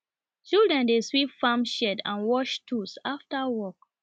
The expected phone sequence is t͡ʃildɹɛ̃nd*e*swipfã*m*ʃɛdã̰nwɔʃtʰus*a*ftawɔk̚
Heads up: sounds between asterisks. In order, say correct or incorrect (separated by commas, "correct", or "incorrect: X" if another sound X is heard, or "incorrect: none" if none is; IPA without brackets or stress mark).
correct, correct, correct